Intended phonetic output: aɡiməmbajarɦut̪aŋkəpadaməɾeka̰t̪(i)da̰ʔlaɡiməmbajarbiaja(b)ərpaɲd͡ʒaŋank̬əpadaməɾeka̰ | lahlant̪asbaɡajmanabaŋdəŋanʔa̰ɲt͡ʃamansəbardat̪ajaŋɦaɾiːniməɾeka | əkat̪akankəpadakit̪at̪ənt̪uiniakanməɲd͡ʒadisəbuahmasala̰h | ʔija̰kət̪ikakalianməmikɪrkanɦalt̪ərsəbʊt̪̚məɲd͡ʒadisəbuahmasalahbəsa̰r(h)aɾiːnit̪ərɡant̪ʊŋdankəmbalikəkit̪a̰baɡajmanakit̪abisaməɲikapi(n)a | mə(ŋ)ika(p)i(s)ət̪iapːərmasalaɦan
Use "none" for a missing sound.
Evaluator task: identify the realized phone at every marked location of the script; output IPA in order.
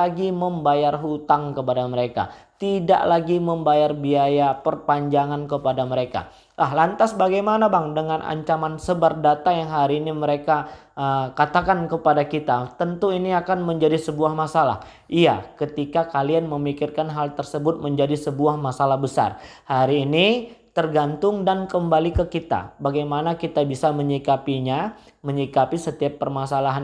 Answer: i, p, h, ɲ, ɲ, p, s

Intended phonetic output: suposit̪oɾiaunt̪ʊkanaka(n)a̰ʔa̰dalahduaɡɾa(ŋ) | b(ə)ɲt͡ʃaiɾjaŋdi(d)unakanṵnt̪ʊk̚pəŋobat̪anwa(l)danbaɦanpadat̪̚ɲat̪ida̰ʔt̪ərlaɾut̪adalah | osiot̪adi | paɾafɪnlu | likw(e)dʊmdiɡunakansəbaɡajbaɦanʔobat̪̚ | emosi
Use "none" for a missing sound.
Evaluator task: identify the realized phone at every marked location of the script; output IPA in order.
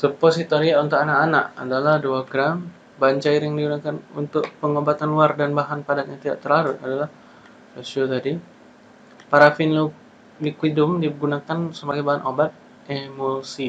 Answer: n, m, a, ɡ, r, i

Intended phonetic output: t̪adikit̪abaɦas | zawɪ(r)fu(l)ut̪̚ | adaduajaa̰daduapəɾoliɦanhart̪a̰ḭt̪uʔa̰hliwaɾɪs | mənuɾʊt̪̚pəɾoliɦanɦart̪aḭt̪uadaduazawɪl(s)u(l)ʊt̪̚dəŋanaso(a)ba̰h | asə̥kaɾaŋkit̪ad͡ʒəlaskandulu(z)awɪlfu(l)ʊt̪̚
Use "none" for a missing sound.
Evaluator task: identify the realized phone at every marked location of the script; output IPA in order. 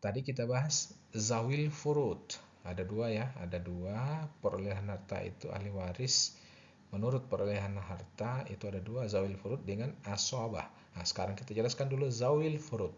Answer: l, ɾ, f, ɾ, a, z, ɾ

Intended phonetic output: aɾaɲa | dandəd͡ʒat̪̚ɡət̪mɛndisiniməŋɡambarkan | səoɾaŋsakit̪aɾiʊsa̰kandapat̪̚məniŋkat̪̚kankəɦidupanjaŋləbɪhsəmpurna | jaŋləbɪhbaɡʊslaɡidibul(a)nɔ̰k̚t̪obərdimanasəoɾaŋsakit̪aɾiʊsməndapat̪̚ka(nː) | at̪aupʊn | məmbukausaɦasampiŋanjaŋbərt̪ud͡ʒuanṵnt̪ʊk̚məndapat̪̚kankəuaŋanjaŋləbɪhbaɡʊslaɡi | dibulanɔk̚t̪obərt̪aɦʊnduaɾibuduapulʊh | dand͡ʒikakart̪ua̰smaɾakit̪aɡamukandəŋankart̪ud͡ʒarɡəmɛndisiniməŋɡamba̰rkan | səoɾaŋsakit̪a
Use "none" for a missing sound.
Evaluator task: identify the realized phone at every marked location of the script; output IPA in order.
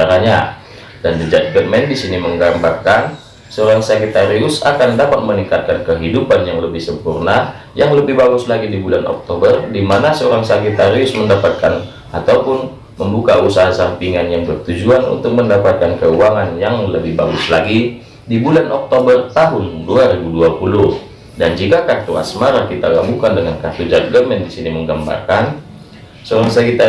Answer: a, n

